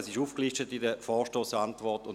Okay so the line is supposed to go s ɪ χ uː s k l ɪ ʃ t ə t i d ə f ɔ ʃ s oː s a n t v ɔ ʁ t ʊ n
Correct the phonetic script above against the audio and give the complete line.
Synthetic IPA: s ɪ ʃ uː f k l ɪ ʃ t ə t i d ə f ɔː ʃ t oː s a n t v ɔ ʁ t ʊ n